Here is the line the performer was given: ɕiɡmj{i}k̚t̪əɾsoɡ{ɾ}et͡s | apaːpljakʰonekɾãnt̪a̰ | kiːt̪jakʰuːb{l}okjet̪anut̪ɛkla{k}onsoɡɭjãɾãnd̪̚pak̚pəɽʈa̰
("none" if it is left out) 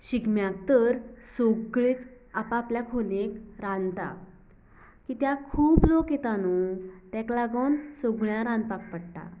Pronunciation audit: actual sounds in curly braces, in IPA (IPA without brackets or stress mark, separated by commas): a, ɭ, l, ɡ